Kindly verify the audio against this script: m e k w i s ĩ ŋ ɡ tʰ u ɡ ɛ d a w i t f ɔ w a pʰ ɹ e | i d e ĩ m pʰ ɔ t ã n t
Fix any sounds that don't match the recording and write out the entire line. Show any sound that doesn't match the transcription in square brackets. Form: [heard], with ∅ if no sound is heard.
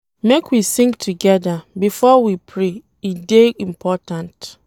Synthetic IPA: m e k w i s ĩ ŋ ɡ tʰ u ɡ ɛ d a [b] i [∅] f ɔ w [i] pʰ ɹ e | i d e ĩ m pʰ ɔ t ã n t